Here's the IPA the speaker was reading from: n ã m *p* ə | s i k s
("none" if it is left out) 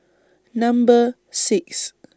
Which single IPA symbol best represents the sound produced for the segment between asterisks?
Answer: b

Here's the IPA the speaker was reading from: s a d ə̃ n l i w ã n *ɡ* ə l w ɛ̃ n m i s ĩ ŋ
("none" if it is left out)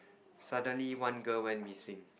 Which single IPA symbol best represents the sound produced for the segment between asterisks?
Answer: ɡ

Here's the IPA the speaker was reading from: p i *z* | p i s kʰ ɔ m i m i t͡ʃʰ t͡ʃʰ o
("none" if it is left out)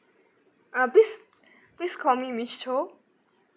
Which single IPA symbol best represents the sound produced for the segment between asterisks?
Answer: s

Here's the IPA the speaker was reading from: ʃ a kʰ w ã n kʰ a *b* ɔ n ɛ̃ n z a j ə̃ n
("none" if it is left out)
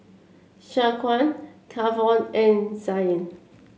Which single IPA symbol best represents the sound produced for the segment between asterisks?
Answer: v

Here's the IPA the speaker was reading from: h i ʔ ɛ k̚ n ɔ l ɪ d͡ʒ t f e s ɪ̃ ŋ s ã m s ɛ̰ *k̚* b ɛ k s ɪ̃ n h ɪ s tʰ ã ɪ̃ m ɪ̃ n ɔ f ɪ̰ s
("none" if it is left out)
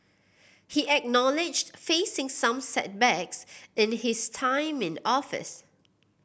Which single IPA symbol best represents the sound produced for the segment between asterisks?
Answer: t̚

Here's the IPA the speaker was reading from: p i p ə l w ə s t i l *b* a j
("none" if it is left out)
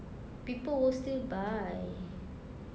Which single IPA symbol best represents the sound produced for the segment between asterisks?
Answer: b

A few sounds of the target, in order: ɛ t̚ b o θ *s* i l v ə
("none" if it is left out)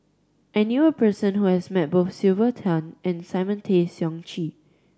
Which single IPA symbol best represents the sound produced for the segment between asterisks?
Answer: s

